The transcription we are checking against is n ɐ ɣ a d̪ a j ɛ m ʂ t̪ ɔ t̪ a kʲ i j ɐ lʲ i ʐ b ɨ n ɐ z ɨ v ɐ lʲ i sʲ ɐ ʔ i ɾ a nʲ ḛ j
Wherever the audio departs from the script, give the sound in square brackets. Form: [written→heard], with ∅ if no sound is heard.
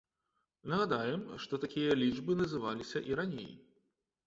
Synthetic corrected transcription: n ɐ ɣ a d̪ a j ɛ m ʂ t̪ ɔ t̪ a kʲ i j ɐ lʲ i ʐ b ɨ n ɐ z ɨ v [ɐ→a] lʲ i sʲ ɐ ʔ i ɾ a nʲ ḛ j